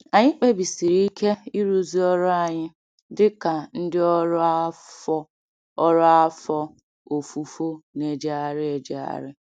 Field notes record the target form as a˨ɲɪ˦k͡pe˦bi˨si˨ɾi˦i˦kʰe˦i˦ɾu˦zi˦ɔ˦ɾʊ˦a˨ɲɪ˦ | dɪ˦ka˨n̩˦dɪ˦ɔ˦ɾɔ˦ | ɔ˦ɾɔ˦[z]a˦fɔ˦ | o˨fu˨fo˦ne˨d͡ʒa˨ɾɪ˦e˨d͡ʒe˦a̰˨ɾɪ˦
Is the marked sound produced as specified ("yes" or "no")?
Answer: no